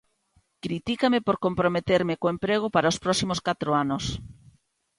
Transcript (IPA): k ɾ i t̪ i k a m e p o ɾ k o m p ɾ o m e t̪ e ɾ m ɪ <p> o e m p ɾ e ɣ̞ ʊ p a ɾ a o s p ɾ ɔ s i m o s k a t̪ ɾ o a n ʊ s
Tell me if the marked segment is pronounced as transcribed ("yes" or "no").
no